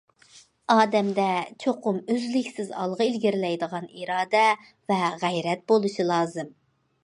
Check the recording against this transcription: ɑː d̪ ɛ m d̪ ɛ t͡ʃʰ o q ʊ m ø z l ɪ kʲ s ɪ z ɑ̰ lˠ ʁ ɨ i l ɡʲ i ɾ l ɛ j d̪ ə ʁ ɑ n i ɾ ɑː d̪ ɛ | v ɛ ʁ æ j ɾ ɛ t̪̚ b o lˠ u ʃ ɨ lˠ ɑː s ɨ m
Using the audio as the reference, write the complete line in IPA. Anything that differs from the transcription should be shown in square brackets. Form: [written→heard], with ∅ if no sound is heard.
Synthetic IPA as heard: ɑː d̪ ɛ m d̪ ɛ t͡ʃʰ o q ʊ m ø z l ɪ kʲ s ɪ z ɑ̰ lˠ ʁ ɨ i l ɡʲ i ɾ l ɛ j d̪ ə ʁ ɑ n i ɾ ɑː d̪ ɛ | v ɛ ʁ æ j ɾ ɛ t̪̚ b o lˠ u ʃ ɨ lˠ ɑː [s→z] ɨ m